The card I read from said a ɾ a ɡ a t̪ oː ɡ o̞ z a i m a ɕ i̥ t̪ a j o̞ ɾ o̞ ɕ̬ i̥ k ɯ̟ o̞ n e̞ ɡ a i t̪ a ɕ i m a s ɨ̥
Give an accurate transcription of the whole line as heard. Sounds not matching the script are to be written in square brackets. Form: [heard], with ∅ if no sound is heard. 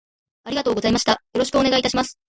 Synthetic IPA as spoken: a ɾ [i] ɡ a t̪ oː ɡ o̞ z a i m a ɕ i̥ t̪ a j o̞ ɾ o̞ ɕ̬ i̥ k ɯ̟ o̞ n e̞ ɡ a i t̪ a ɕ i m a s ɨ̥